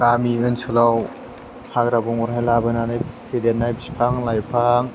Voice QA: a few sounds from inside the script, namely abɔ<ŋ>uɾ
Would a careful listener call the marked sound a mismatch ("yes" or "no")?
no